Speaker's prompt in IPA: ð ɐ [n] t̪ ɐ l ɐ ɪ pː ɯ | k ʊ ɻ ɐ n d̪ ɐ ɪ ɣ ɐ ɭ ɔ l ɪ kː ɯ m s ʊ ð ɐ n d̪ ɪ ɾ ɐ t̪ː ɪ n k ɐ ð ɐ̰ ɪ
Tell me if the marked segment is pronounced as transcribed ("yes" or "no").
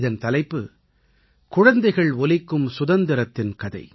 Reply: yes